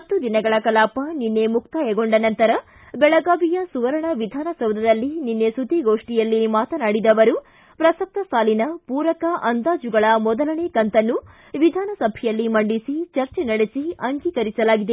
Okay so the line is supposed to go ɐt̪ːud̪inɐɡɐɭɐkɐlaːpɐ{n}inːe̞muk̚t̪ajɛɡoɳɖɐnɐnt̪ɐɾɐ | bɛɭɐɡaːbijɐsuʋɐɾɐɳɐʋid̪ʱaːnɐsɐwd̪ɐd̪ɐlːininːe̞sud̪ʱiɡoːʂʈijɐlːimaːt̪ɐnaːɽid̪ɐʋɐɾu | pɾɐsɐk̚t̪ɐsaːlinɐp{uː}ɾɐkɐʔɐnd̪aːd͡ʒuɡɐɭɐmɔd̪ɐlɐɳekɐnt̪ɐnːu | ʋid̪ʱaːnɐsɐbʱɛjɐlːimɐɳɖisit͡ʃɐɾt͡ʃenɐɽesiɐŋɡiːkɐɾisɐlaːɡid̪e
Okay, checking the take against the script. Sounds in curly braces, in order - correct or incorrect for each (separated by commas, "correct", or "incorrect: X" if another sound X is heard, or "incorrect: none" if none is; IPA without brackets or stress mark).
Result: correct, correct